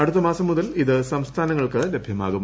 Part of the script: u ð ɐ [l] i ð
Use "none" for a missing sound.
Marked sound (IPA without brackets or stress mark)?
l